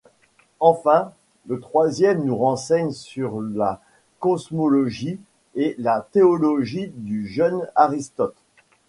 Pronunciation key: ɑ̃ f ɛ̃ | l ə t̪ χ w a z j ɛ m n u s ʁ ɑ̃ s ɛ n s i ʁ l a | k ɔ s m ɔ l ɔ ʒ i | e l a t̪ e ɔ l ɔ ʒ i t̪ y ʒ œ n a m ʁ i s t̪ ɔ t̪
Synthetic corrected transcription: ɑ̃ f ɛ̃ | l ə t̪ χ w a z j ɛ m n u ʁ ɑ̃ s ɛ ɲ s y ʁ l a | k ɔ s m ɔ l ɔ ʒ i | e l a t̪ e ɔ l ɔ ʒ i d̪ y ʒ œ n a ʁ i s t̪ ɔ t̪